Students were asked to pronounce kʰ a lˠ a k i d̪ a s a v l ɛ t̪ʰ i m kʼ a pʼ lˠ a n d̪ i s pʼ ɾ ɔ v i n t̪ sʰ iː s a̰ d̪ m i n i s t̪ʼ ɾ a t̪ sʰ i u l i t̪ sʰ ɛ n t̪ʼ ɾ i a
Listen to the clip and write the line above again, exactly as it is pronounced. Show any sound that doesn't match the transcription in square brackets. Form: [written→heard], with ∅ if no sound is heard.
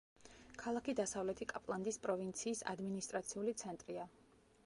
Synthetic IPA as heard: kʰ a lˠ a k i d̪ a s a v l ɛ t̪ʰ i [m→∅] kʼ a pʼ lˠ a n d̪ i s pʼ ɾ ɔ v i n t̪ sʰ iː s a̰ d̪ m i n i s t̪ʼ ɾ a t̪ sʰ i u l i t̪ sʰ ɛ n t̪ʼ ɾ i a